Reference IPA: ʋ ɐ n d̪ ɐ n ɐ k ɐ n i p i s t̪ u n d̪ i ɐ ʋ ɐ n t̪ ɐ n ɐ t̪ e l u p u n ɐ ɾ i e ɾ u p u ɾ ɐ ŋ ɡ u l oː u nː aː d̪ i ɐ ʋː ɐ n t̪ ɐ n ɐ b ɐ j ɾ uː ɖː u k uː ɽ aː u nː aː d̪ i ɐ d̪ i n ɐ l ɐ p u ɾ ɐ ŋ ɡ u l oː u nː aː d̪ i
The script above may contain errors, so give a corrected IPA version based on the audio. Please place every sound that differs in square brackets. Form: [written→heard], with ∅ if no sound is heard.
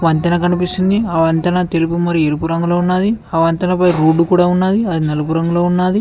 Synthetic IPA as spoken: ʋ ɐ n [d̪→t̪] ɐ n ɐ k ɐ n i p i s t̪ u n d̪ i ɐ ʋ ɐ n t̪ ɐ n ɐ t̪ e l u p u [n→m] ɐ ɾ i e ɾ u p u ɾ ɐ ŋ ɡ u l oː u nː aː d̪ i ɐ [ʋː→ʋ] ɐ n t̪ ɐ n ɐ [b→p] ɐ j ɾ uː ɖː u k uː ɽ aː u nː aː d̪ i ɐ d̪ i n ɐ l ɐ p u ɾ ɐ ŋ ɡ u l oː u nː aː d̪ i